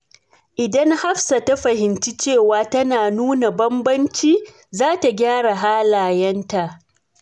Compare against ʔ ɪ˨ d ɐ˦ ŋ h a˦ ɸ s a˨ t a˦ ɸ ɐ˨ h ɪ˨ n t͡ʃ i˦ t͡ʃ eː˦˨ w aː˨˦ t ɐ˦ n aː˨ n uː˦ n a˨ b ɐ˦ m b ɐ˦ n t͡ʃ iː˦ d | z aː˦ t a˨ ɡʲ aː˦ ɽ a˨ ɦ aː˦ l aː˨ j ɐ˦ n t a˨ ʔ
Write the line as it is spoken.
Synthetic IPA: ʔ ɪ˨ d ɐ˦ ŋ h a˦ ɸ s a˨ t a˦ ɸ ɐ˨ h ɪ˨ n t͡ʃ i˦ t͡ʃ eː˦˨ w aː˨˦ t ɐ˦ n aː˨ n uː˦ n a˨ b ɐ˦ m b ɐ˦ n t͡ʃ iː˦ | z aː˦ t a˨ ɡʲ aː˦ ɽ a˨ ɦ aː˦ l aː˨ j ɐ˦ n t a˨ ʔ

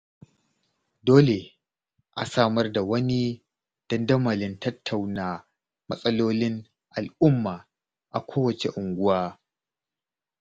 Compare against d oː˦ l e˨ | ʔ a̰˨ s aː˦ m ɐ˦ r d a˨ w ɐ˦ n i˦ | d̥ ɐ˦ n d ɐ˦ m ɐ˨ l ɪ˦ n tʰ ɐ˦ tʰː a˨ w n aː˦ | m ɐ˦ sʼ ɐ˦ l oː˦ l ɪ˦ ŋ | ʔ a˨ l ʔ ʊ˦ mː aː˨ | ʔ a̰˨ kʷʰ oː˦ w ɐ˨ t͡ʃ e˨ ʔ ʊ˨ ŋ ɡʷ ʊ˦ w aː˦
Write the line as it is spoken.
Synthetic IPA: d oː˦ l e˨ | ʔ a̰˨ s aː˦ m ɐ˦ r d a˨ w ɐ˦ n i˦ | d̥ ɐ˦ n d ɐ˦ m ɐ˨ l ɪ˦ n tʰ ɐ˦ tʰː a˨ w n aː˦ | m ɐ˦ sʼ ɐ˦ l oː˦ l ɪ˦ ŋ | ʔ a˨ l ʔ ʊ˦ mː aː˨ | ʔ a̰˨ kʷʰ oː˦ w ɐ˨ t͡ʃ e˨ ʔ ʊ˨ ŋ ɡʷ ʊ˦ w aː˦

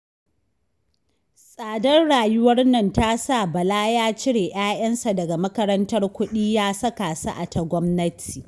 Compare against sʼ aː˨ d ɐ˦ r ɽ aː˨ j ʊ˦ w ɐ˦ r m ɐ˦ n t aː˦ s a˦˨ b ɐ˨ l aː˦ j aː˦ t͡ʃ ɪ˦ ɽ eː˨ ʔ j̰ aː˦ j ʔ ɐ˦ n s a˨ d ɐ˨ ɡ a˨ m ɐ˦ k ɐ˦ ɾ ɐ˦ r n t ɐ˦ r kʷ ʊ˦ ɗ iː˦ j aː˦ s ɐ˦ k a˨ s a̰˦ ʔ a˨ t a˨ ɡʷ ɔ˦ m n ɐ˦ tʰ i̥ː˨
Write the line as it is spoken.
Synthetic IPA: sʼ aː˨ d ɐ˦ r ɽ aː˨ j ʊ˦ w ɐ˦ r n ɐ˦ n t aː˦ s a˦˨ b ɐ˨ l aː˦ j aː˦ t͡ʃ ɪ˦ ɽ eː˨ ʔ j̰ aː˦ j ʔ ɐ˦ n s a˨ d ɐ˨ ɡ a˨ m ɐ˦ k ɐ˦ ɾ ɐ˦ n t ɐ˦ r kʷ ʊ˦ ɗ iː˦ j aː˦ s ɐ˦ k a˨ s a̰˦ ʔ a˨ t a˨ ɡʷ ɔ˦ m n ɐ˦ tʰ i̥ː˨

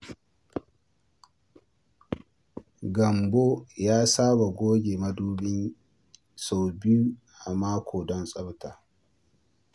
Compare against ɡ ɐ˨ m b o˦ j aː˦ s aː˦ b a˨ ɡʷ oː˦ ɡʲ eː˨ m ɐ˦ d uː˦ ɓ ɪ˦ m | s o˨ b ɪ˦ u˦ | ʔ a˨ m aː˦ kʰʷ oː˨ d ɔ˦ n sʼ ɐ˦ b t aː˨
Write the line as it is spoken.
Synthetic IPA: ɡ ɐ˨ m b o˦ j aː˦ s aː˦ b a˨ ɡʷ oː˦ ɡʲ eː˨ m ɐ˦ d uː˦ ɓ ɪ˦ n | s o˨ b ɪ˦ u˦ | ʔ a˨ m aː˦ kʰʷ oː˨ d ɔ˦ n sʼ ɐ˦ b t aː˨

